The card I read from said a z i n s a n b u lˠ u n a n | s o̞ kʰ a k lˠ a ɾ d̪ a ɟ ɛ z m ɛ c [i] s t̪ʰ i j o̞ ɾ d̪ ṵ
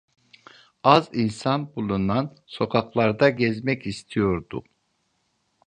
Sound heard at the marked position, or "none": i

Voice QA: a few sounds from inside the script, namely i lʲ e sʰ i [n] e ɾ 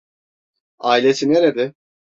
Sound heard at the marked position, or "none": n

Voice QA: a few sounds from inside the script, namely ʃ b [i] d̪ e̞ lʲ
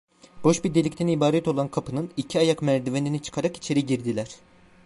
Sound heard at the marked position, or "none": i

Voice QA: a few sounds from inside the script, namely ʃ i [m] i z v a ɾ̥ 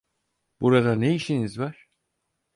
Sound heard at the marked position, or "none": n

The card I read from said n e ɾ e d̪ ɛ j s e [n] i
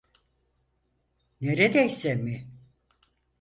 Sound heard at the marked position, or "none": m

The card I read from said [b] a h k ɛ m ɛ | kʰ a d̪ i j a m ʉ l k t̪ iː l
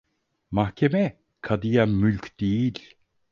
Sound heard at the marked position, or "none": m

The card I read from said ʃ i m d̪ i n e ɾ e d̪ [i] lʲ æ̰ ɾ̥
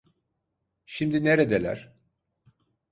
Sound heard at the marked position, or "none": e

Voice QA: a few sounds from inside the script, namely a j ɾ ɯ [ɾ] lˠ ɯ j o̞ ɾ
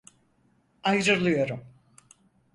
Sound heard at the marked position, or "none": ɾ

